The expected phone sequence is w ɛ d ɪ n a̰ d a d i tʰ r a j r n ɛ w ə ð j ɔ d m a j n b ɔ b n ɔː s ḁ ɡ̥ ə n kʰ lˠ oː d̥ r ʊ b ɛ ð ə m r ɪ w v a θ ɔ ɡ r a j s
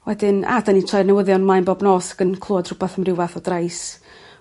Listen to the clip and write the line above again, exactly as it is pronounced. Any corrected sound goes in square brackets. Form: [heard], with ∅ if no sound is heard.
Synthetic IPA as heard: w ɛ d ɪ n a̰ d a [n] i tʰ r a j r n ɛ w ə ð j ɔ [n] m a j n b ɔ b n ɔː s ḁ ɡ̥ ə n kʰ lˠ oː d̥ r ʊ b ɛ [θ] ə m r ɪ w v a θ ɔ [d] r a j s

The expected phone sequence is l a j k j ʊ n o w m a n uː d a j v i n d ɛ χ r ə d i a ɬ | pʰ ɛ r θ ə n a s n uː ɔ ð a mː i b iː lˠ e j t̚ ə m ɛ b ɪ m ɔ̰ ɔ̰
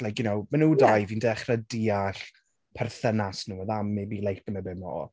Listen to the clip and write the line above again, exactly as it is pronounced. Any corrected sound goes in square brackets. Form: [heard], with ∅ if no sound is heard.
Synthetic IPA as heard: l a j k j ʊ n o w m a n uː d a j v i n d ɛ χ r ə d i a ɬ | pʰ ɛ r θ ə n a s n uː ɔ ð a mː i b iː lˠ e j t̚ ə m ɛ b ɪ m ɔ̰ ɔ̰

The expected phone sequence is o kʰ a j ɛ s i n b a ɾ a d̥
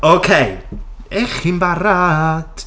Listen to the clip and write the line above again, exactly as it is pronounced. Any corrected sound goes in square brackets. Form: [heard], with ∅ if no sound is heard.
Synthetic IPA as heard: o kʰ [e] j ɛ [χ] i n b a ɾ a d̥

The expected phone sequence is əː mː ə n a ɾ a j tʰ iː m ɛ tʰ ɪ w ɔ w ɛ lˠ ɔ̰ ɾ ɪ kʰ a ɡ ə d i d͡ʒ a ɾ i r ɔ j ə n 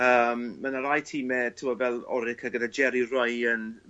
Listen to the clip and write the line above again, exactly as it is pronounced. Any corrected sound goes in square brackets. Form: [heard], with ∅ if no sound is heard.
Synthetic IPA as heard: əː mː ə n a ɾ a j tʰ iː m ɛ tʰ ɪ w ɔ [v] ɛ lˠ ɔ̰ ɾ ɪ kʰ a ɡ ə d [a] d͡ʒ [ɛ] ɾ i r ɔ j ə n

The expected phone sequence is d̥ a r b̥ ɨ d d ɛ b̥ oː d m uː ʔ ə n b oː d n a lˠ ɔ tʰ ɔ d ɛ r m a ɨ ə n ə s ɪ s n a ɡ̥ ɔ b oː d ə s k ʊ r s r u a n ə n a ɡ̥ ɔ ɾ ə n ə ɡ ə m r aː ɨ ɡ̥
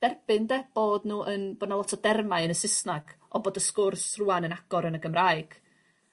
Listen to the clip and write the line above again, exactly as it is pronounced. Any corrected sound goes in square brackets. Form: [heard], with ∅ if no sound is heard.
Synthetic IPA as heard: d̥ [ɛ] r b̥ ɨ [n] d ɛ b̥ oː d [n] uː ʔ ə n b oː d n a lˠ ɔ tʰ ɔ d ɛ r m a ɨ ə n ə s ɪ s n a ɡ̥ ɔ b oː d ə s k ʊ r s r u a n ə n a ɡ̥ ɔ ɾ ə n ə ɡ ə m r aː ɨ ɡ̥

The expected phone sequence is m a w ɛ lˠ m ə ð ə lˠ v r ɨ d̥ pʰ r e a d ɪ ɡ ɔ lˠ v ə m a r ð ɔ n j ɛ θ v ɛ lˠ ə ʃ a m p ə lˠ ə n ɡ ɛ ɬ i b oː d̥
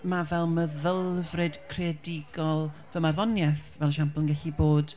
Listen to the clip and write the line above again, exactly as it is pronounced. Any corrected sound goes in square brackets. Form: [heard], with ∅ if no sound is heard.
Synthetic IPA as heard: m a [v] ɛ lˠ m ə ð ə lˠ v r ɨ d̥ [kʰ] r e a d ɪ ɡ ɔ lˠ v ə m a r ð ɔ n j ɛ θ v ɛ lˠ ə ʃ a m p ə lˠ ə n ɡ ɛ ɬ i b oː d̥

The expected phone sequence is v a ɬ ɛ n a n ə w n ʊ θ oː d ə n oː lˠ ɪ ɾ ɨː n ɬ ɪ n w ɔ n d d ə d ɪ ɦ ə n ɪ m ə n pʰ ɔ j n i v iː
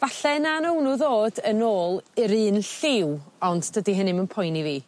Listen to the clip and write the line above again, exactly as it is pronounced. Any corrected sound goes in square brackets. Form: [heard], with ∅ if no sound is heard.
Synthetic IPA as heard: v a ɬ ɛ n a n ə w n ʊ [ð] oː d ə n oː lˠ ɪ ɾ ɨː n ɬ ɪ [∅] w ɔ n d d ə d [i] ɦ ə n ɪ m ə n pʰ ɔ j n i v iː

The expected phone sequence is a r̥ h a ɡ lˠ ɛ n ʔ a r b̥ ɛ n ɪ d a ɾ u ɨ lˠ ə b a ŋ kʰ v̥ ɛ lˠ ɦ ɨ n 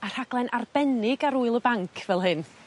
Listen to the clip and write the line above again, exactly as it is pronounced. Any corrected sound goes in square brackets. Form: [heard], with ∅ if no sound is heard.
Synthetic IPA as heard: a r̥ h a ɡ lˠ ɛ n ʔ a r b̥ ɛ n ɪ [ɡ] a ɾ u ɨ lˠ ə b a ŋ kʰ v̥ ɛ lˠ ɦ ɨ n

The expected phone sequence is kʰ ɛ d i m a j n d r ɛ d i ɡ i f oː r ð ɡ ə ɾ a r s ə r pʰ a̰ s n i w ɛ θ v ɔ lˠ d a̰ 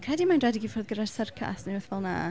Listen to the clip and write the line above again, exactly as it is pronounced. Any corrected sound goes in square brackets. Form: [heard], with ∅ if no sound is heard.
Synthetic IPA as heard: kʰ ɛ d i m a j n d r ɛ d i ɡ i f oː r ð ɡ ə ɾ a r s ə r [kʰ] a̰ s n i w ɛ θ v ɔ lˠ [n] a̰

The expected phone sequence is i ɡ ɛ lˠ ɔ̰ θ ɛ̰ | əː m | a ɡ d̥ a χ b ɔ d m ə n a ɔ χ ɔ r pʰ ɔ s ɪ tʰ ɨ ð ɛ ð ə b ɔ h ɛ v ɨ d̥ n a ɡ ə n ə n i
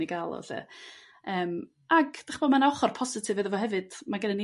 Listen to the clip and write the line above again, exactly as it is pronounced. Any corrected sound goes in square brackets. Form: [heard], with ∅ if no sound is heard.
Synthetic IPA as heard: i ɡ [a] lˠ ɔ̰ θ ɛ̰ | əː m | a ɡ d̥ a χ b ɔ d m [a] n a ɔ χ ɔ r pʰ ɔ s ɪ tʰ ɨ [v] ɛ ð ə [v] ɔ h ɛ v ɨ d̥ [m] a ɡ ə n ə n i

